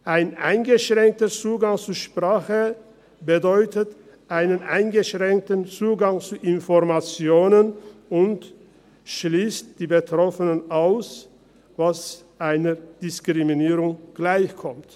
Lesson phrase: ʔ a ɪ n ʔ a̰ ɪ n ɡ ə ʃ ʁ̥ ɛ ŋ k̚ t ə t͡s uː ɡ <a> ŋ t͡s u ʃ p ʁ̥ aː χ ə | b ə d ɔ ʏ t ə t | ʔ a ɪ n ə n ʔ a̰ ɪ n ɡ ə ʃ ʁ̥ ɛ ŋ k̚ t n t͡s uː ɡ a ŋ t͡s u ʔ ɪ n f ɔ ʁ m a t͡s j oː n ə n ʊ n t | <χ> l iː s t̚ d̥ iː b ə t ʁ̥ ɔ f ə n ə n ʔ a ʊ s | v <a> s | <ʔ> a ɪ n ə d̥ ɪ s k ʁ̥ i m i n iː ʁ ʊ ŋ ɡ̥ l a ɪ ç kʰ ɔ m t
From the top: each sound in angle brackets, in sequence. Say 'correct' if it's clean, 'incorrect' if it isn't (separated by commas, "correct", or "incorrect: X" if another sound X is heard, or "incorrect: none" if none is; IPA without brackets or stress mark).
correct, incorrect: ʃ, correct, correct